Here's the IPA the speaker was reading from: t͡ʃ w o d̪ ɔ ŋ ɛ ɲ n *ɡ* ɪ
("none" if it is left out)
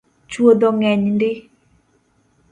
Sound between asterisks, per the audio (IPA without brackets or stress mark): d